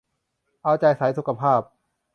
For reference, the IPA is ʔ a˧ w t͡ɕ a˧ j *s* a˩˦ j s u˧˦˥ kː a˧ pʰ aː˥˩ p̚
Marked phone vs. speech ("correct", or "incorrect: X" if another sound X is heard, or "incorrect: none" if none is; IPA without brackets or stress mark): correct